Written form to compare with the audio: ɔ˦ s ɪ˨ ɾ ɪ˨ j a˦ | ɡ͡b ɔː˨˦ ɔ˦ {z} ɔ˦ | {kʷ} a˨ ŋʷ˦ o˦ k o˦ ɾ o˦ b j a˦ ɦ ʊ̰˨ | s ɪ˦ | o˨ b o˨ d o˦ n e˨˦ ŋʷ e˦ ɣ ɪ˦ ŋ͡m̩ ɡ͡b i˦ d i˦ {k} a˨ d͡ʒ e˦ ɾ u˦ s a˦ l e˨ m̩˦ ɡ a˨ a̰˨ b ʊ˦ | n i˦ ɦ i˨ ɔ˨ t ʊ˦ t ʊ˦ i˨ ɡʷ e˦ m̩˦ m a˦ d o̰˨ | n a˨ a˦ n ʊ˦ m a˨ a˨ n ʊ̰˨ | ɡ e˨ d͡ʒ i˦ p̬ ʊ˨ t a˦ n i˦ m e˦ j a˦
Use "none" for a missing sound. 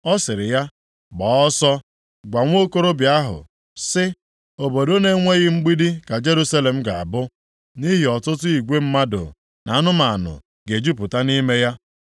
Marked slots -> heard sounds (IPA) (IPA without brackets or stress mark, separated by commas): s, ɡʷ, k